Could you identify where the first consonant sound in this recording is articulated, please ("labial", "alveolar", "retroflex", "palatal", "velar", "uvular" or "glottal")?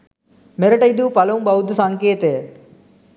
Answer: labial